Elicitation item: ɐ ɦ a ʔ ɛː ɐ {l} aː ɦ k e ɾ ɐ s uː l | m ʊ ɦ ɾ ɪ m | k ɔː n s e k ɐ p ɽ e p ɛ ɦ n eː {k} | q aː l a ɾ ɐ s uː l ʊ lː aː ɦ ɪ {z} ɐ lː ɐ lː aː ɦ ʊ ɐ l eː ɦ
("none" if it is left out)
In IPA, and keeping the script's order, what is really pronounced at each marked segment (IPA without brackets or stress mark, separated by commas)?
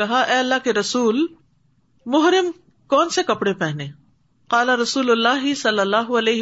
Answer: lː, none, s